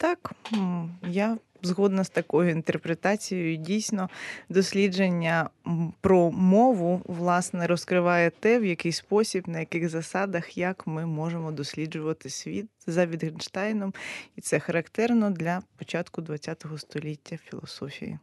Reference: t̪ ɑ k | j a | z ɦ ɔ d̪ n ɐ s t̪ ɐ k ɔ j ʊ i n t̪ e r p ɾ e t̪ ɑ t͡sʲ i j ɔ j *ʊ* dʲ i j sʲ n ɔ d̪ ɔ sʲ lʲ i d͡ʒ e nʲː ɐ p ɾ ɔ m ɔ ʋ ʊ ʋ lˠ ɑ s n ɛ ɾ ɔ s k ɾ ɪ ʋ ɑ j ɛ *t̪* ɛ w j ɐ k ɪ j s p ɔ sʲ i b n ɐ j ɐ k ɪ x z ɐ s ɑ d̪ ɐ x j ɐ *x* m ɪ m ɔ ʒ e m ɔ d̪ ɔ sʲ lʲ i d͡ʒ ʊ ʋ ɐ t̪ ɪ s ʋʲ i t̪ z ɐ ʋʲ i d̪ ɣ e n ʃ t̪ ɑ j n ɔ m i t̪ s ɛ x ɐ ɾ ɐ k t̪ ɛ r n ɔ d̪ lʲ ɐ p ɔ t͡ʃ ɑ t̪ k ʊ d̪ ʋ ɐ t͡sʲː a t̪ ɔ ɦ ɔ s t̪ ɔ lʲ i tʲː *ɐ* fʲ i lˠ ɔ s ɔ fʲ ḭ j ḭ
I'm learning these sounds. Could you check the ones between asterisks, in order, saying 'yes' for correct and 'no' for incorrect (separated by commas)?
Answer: yes, yes, no, yes